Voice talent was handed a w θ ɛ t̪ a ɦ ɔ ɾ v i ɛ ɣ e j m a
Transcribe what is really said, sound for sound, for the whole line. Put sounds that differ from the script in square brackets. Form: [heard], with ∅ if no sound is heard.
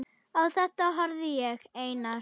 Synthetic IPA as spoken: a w θ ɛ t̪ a ɦ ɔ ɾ [ð] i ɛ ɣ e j [n] a